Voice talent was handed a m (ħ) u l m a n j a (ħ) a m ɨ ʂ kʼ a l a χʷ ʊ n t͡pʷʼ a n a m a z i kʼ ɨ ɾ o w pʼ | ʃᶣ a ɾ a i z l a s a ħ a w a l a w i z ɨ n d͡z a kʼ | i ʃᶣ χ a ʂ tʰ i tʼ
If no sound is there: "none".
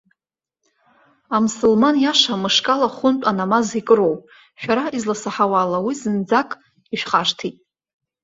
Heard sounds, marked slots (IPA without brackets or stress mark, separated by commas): s, ʂ